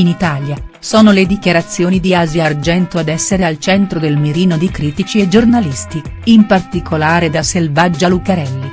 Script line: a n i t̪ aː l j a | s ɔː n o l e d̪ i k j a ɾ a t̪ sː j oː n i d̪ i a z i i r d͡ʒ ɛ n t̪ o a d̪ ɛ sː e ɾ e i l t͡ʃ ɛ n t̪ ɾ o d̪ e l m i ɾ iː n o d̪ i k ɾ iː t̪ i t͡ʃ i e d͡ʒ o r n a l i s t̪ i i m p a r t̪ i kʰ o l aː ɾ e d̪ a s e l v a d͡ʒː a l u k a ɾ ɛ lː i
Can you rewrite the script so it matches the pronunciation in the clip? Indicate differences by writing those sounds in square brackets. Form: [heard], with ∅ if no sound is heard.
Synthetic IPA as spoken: [i] n i t̪ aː l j a | s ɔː n o l e d̪ i k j a ɾ a t̪ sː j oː n i d̪ i a z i [a] r d͡ʒ ɛ n t̪ o a d̪ ɛ sː e ɾ e [a] l t͡ʃ ɛ n t̪ ɾ o d̪ e l m i ɾ iː n o d̪ i k ɾ iː t̪ i t͡ʃ i e d͡ʒ o r n a l i s t̪ i i m p a r t̪ i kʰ o l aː ɾ e d̪ a s e l v a d͡ʒː a l u k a ɾ ɛ lː i